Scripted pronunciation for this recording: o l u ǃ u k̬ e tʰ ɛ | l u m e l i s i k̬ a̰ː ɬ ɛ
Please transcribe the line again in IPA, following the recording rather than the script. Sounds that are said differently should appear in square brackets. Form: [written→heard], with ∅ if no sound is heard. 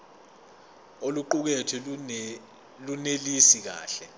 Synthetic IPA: o l u ǃ u k̬ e tʰ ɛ | l u [m→n] e l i s i k̬ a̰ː ɬ ɛ